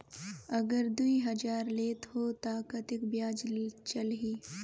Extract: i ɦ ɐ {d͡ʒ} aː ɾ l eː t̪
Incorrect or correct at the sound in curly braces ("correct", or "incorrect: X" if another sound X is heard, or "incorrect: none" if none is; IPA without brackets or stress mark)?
correct